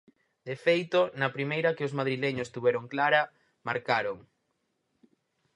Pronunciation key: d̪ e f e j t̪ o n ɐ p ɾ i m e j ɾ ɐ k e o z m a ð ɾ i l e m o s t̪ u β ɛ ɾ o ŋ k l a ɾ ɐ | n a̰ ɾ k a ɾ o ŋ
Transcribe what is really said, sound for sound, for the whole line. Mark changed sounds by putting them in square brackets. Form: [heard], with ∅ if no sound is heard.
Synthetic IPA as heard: d̪ e f e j t̪ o n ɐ p ɾ i m e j ɾ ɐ k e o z m a ð ɾ i l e [ɲ] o s t̪ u β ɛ ɾ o ŋ k l a ɾ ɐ | [m] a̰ ɾ k a ɾ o ŋ